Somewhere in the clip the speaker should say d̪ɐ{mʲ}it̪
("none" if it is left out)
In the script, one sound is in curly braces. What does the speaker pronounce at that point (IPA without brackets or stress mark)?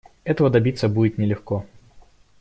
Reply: bʲ